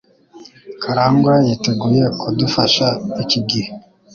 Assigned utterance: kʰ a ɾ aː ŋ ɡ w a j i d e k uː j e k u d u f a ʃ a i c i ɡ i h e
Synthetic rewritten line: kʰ a ɾ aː ŋ ɡ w a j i t e ɡ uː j e k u d u f a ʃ a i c i ɡ i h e